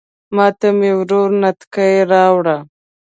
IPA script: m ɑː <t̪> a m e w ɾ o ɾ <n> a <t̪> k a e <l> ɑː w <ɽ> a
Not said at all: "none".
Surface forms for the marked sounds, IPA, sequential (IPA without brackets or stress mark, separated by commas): t̪, n, t̪, ɾ, ɽ